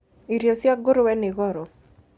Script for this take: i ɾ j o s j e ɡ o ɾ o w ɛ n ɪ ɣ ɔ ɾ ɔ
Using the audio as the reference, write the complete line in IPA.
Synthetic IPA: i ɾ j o s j a ɡ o ɾ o w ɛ n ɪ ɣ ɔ ɾ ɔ